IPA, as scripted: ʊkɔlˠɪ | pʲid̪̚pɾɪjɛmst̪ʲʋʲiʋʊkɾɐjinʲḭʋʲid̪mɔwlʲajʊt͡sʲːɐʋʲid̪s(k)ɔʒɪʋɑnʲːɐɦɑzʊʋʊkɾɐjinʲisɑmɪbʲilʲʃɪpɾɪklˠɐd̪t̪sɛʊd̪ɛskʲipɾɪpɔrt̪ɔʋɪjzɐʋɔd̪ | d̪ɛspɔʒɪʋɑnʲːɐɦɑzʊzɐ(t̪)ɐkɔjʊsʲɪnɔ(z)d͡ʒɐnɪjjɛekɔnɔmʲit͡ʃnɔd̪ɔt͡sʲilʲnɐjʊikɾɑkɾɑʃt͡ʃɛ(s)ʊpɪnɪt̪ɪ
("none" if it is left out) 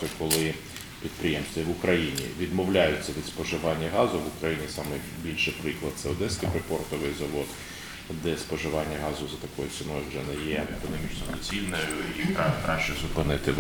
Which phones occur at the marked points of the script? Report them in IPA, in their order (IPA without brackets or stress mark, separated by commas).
p, t̪, ʒ, z